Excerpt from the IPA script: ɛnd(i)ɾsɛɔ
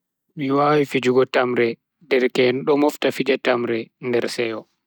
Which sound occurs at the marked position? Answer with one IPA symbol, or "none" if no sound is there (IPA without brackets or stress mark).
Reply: ɛ